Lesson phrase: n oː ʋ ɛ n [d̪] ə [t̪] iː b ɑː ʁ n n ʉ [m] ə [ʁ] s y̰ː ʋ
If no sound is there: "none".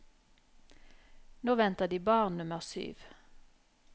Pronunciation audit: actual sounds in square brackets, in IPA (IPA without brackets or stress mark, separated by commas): t̪, d̪, m, ʁ